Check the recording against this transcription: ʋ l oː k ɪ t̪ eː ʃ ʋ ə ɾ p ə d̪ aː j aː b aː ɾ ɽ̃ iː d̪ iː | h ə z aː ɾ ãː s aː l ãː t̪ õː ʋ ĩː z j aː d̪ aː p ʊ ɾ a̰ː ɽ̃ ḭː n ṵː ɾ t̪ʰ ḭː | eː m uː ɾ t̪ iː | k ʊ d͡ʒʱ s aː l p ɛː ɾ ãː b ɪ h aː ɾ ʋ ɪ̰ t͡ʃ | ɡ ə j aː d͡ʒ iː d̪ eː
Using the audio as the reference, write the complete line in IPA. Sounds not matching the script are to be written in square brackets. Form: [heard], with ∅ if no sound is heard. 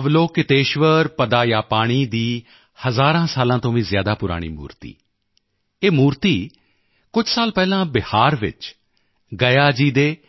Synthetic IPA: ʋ l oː k ɪ t̪ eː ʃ ʋ ə ɾ p ə d̪ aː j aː [p] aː [∅] ɽ̃ iː d̪ iː | h ə z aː ɾ ãː s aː l ãː t̪ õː ʋ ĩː z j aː d̪ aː p ʊ ɾ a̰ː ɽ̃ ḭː [m] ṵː ɾ [t̪] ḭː | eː m uː ɾ t̪ iː | k ʊ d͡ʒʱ s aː l p ɛː [l] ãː b ɪ h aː ɾ ʋ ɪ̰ t͡ʃ | ɡ ə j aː d͡ʒ iː d̪ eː